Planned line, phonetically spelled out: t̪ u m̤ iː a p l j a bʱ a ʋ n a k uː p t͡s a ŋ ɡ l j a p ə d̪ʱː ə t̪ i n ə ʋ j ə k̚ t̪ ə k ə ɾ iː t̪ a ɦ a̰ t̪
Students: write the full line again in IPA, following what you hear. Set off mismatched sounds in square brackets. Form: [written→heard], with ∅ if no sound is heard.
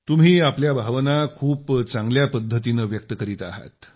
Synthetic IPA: t̪ u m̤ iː a p l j a bʱ a ʋ n a [k→kʰ] uː p t͡s a ŋ ɡ l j a p ə d̪ʱː ə t̪ i n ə ʋ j ə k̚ t̪ ə k ə ɾ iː t̪ a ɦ a̰ t̪